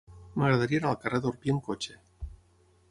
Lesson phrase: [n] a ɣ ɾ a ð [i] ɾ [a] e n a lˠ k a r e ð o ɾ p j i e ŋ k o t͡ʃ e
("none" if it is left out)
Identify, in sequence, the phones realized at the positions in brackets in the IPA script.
m, a, i

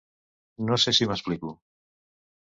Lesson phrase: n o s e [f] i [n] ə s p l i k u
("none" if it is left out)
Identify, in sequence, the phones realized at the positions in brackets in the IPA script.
s, m

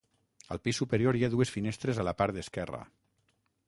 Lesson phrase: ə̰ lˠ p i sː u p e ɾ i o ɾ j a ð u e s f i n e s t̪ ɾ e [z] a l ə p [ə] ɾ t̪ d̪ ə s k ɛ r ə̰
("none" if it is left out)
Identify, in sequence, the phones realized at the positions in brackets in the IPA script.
z, a

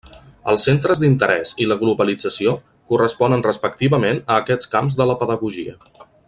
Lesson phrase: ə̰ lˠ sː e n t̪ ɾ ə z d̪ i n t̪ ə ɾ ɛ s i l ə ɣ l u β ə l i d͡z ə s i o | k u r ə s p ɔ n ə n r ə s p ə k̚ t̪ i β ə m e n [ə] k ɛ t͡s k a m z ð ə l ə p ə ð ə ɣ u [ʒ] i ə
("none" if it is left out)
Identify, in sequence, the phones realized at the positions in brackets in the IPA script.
əː, ʒ

